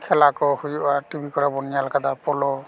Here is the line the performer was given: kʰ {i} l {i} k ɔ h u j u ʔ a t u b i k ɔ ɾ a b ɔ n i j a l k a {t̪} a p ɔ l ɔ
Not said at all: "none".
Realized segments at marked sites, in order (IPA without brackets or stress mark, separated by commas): ɛ, a, d̪